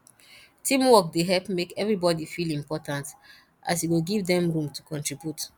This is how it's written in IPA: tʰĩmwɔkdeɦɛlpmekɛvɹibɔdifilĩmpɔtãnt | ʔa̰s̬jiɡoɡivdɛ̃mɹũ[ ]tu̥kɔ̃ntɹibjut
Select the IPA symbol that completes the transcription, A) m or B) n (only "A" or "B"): A